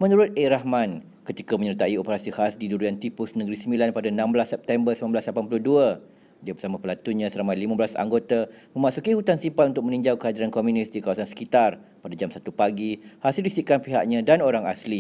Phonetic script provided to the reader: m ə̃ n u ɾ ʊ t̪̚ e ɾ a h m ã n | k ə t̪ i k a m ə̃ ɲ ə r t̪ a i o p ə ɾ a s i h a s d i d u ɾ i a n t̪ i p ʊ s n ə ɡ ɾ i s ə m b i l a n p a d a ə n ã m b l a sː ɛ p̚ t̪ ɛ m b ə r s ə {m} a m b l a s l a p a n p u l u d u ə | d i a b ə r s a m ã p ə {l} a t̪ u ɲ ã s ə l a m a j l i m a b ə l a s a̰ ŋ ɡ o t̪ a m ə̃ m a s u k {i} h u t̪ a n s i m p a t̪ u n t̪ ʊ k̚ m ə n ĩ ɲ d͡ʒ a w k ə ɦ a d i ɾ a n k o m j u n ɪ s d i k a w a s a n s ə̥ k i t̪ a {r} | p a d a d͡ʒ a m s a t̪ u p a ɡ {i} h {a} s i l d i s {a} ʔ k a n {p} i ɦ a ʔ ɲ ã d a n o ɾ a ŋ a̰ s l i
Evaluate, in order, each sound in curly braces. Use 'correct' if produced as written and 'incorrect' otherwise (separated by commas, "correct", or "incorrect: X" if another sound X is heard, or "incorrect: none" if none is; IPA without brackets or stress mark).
correct, correct, correct, correct, correct, correct, incorrect: i, correct